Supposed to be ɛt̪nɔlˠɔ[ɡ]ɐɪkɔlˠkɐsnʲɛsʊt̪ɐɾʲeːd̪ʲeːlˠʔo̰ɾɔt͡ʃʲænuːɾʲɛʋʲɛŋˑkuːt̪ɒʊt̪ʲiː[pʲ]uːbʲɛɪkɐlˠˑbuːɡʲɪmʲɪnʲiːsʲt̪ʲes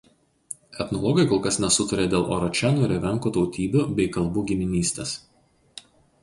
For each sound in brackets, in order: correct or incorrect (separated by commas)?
correct, incorrect